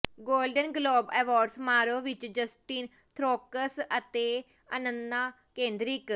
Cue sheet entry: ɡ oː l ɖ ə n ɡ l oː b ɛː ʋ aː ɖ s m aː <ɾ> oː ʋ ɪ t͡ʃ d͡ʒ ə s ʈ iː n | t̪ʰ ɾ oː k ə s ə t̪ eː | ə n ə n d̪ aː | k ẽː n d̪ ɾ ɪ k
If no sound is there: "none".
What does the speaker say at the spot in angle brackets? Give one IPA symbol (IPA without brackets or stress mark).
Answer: ɾ